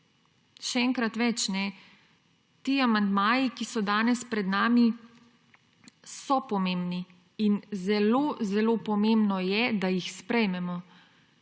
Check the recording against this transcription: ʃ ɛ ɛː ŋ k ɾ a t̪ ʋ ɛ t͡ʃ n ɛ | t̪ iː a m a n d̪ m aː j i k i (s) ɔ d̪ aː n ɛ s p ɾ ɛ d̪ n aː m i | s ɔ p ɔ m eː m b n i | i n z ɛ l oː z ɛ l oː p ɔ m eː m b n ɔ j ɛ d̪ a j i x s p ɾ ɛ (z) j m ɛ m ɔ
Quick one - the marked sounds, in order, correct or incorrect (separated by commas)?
correct, incorrect